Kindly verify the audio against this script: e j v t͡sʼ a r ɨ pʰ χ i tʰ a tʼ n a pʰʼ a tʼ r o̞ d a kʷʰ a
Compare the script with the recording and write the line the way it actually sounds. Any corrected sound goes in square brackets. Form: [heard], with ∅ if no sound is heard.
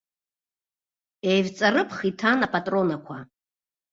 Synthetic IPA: e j v t͡sʼ a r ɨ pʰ χ i tʰ a [∅] n a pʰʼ a tʼ r o̞ [n] a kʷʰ a